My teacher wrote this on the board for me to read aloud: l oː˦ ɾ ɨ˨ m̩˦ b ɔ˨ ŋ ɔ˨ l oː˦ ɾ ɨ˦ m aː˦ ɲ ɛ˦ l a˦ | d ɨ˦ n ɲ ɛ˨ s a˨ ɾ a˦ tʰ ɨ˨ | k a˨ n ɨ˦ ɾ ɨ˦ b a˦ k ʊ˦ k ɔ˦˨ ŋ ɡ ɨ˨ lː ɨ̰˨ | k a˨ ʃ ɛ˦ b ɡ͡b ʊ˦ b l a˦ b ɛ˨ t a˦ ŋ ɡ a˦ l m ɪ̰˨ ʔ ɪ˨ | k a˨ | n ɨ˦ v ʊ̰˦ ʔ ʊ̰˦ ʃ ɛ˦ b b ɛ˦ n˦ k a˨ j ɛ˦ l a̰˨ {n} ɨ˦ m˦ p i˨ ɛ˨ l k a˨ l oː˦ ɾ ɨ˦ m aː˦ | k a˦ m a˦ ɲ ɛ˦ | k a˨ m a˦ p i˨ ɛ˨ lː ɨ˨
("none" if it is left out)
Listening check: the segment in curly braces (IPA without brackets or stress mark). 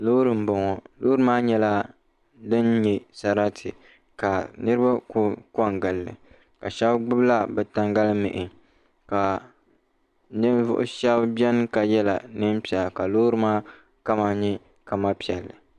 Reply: n